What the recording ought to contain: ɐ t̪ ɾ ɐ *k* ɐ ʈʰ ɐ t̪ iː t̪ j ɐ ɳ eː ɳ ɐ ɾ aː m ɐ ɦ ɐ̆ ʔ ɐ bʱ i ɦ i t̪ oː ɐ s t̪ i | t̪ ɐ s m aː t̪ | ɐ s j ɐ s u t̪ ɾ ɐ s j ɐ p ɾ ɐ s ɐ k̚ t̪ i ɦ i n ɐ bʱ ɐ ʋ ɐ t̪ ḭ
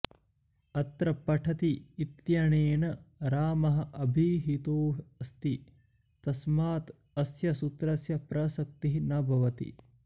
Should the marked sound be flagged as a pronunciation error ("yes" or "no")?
yes